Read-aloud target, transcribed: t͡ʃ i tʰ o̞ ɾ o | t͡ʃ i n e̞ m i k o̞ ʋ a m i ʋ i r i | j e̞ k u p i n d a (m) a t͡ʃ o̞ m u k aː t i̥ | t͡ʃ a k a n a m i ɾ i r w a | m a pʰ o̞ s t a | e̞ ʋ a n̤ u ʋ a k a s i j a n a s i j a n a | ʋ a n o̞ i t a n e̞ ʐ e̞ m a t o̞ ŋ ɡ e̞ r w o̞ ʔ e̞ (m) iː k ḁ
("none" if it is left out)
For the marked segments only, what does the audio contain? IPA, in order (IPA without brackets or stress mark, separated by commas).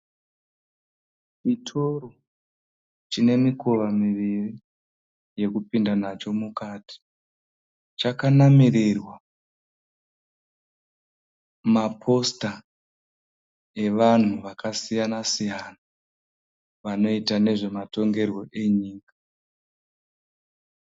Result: n, ɲ